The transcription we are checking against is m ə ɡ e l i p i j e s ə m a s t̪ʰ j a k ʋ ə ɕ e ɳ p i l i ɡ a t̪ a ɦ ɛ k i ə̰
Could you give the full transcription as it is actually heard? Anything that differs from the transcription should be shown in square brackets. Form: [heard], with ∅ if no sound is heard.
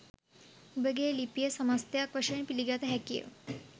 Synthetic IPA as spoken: [b] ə ɡ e l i p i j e s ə m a s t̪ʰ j a k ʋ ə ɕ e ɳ p i l i ɡ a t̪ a ɦ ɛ k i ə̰